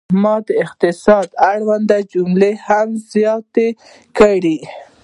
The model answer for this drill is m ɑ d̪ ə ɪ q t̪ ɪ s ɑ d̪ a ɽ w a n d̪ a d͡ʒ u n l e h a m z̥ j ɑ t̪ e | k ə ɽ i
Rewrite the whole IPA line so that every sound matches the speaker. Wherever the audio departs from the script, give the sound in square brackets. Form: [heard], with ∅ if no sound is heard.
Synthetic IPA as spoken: m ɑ d̪ ə ɪ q t̪ ɪ s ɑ d̪ a ɽ w a n d̪ a d͡ʒ u [m] l e h a m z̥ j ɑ t̪ e | k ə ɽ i